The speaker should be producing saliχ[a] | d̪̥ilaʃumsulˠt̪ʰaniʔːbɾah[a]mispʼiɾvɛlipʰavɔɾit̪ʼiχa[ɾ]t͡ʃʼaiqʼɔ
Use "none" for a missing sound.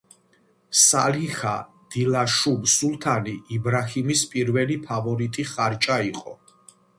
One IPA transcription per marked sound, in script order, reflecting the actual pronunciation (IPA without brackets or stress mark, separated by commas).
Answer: a, i, ɾ